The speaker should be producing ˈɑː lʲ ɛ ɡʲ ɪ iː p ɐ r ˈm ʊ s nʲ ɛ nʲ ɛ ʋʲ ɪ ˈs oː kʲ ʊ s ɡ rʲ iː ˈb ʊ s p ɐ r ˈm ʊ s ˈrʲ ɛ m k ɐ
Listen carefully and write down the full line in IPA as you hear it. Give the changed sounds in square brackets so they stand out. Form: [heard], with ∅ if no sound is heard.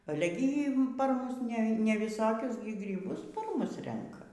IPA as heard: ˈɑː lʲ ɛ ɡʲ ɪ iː p ɐ r ˈm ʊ s nʲ ɛ nʲ ɛ ʋʲ ɪ ˈs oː kʲ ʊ s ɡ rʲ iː ˈb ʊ s p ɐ r ˈm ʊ s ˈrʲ ɛ [ŋ] k ɐ